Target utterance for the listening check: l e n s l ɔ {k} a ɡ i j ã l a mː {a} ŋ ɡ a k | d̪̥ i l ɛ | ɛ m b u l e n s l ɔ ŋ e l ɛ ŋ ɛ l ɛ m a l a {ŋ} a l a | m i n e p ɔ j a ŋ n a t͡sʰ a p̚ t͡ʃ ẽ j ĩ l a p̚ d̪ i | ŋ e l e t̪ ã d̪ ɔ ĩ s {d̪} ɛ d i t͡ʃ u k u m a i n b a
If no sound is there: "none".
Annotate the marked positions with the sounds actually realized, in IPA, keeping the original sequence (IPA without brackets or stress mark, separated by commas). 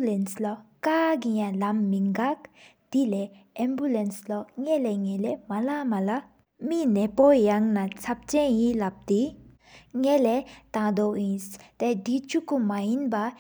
k, i, m, t̪